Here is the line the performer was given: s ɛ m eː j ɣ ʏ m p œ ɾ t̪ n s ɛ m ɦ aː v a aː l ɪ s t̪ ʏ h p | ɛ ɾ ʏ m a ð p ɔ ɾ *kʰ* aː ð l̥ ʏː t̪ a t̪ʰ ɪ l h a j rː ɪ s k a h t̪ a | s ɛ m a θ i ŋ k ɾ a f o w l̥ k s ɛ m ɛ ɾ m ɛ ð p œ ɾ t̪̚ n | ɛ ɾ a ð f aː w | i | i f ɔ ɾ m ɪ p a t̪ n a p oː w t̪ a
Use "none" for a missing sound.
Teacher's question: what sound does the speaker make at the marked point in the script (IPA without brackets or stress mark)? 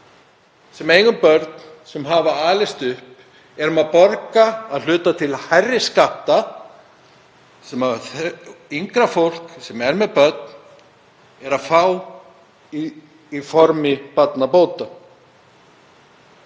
k